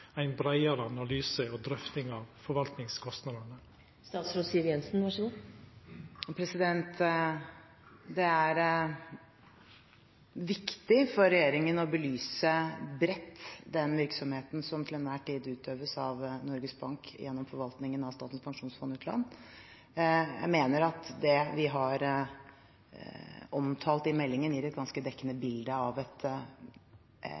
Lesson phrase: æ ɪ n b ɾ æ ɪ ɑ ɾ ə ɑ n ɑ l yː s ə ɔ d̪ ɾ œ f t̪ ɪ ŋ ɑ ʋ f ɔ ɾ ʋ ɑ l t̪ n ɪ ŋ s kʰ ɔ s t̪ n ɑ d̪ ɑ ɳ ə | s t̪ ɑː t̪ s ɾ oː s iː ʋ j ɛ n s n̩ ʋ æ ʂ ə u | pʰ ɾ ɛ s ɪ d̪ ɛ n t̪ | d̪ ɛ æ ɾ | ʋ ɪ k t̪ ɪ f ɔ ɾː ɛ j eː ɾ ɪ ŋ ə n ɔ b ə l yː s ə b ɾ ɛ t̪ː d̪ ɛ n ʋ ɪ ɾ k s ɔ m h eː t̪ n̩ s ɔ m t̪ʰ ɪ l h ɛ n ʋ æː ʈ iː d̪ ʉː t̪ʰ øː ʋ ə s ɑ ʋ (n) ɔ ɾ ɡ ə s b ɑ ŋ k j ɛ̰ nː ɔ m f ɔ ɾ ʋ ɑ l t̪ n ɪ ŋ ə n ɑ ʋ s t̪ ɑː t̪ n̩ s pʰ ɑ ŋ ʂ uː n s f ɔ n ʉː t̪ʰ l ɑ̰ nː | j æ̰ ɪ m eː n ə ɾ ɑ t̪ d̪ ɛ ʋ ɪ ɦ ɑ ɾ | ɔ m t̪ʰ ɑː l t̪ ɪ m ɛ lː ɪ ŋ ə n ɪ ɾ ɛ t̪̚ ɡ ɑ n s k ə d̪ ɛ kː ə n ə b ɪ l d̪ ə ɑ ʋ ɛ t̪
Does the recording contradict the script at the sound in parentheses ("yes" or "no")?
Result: no